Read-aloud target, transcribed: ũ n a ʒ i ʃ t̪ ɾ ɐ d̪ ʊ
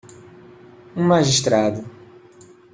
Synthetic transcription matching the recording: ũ m a ʒ i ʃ t̪ ɾ a d̪ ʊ